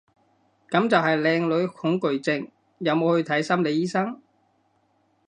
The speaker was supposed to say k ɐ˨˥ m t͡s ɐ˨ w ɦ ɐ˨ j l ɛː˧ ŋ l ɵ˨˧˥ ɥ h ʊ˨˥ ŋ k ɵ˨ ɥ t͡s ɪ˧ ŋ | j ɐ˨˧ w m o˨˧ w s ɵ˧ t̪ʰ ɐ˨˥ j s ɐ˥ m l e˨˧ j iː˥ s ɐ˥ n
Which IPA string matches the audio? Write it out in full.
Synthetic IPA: k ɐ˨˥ m t͡s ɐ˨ w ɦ ɐ˨ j l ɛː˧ ŋ l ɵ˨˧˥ ɥ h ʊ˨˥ ŋ k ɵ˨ ɥ t͡s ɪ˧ ŋ | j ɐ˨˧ w m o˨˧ w h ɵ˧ t̪ʰ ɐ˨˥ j s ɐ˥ m l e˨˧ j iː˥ s ɐ˥ ŋ